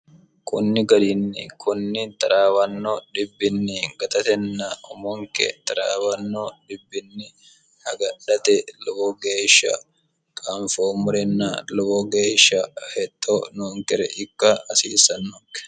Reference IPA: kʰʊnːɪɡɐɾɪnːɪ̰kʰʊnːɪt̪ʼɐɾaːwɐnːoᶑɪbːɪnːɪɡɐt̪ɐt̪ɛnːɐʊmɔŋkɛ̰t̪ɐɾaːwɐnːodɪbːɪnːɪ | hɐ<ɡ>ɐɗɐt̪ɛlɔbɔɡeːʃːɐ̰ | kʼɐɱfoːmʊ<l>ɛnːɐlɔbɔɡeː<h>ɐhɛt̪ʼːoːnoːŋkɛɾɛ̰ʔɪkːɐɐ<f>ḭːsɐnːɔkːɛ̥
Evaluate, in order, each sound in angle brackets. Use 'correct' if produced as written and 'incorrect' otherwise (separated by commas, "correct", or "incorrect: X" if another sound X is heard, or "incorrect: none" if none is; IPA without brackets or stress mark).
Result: correct, incorrect: ɾ, incorrect: ʃ, incorrect: s